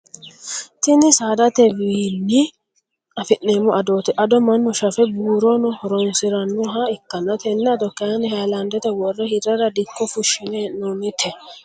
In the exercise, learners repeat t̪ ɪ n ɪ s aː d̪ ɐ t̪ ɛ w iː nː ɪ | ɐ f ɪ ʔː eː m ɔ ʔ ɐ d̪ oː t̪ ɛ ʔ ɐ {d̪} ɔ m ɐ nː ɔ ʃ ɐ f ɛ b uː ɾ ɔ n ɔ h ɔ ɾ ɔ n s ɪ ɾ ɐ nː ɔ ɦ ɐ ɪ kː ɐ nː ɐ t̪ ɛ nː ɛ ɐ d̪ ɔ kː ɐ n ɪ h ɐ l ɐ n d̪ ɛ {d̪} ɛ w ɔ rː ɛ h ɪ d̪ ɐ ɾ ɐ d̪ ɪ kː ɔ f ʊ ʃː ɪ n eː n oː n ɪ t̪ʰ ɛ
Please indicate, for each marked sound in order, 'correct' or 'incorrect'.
correct, incorrect: t̪

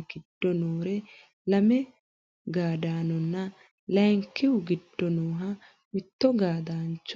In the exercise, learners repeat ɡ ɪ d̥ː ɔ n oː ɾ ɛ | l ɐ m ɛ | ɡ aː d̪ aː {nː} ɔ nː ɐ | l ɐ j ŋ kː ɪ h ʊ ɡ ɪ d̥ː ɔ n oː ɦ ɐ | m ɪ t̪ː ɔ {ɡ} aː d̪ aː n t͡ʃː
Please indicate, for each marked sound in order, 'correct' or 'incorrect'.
incorrect: n, correct

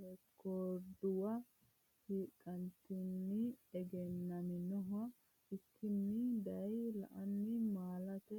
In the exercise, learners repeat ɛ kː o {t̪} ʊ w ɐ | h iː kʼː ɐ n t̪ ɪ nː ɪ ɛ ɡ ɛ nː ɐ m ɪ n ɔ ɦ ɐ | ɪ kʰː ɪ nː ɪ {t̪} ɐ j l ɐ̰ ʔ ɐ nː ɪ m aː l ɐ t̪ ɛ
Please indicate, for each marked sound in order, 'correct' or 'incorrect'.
incorrect: d̪, incorrect: d̪

